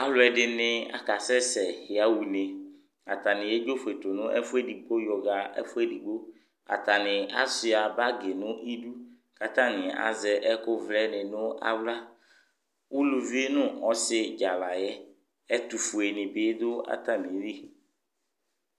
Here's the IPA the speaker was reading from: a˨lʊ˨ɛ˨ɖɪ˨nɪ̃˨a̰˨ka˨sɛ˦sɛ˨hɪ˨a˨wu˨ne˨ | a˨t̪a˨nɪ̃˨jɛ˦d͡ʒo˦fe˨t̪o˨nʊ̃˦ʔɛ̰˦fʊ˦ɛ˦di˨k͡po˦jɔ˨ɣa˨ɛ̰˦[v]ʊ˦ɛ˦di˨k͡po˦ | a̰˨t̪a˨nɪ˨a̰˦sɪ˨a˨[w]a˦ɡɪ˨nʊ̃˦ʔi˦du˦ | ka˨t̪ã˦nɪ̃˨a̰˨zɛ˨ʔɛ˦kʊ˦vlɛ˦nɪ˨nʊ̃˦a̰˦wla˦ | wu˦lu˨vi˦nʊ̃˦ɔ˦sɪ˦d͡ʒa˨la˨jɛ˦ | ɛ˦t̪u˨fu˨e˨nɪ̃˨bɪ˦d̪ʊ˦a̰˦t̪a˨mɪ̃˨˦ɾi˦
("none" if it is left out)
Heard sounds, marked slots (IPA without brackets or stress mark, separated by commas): f, b